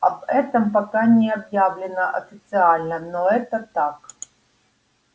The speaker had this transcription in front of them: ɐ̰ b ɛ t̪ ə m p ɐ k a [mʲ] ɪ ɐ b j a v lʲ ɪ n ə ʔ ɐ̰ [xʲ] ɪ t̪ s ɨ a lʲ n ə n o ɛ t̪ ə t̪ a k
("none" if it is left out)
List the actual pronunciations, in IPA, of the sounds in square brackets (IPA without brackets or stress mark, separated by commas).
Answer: nʲ, fʲ